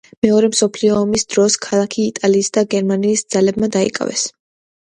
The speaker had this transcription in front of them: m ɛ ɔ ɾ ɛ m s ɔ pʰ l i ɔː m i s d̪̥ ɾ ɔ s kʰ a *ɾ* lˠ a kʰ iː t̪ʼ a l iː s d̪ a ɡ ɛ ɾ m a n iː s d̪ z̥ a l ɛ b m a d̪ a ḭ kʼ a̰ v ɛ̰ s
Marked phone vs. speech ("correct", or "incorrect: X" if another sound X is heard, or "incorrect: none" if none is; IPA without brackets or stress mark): incorrect: none